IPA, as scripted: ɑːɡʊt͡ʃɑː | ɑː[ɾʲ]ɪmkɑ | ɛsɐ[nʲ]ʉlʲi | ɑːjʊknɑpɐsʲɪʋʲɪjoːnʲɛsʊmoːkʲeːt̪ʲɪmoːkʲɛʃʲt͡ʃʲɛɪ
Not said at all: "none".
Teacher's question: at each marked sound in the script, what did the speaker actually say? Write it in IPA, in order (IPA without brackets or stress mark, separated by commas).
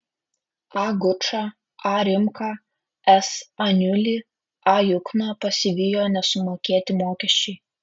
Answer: ɾʲ, nʲ